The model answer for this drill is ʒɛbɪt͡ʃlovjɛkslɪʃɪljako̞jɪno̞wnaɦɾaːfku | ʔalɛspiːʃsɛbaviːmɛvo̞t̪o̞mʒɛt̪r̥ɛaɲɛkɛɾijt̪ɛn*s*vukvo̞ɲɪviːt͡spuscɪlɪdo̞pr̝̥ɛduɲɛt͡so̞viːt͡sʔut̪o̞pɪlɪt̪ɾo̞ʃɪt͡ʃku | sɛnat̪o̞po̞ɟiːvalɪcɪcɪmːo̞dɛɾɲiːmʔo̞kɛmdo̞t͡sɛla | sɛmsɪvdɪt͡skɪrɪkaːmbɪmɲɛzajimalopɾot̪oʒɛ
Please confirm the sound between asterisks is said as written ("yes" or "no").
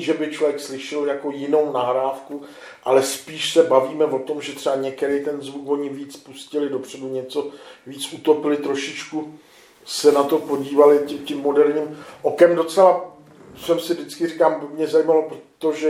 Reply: no